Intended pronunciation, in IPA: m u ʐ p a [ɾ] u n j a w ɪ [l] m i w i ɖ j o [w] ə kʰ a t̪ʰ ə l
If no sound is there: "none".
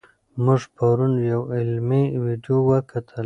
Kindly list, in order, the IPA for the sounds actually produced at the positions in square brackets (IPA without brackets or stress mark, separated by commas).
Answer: ɾ, l, w